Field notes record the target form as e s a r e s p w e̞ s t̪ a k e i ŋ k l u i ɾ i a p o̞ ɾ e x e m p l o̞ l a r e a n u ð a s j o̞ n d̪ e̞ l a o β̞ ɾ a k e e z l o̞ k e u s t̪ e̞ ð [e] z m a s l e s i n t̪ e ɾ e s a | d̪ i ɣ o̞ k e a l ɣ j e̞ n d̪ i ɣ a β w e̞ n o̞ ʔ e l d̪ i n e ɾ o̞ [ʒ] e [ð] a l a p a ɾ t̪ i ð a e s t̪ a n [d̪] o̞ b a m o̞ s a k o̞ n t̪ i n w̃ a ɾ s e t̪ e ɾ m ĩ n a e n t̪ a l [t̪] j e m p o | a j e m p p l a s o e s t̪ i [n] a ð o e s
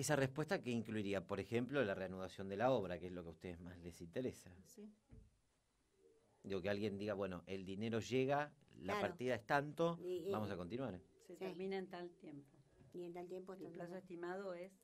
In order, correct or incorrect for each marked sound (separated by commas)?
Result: correct, correct, incorrect, incorrect, correct, incorrect